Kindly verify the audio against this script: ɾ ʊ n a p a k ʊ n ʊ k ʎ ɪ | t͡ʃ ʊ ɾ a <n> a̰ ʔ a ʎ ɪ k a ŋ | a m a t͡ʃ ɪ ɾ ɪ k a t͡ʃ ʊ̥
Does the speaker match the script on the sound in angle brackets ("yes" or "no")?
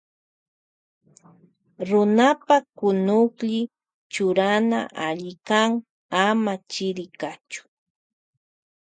yes